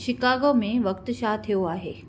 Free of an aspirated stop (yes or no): no